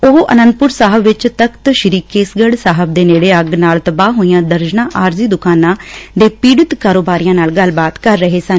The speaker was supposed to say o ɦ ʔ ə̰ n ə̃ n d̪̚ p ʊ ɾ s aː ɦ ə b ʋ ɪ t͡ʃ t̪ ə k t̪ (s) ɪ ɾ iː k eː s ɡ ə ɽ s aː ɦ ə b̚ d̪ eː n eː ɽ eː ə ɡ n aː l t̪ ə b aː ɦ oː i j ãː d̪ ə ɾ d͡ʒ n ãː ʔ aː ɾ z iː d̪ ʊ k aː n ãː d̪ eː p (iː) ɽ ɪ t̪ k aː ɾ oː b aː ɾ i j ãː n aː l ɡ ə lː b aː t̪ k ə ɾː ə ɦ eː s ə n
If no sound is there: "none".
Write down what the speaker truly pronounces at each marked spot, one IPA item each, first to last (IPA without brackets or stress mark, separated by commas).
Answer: ʃ, iː